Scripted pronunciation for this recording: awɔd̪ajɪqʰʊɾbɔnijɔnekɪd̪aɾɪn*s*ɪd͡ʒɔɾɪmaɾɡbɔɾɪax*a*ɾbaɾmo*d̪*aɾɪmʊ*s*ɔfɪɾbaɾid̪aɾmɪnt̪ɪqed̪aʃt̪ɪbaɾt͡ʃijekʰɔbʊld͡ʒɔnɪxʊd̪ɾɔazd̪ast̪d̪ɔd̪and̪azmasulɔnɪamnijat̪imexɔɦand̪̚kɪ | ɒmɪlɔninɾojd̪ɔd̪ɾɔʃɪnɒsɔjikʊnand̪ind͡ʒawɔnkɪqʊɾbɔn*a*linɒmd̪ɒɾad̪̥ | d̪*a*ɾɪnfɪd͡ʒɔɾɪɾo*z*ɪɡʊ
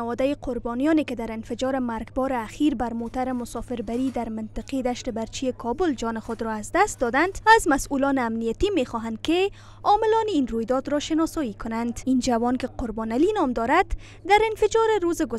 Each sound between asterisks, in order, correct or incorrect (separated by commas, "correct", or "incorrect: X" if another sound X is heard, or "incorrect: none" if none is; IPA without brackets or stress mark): incorrect: f, incorrect: i, incorrect: t̪, correct, correct, correct, correct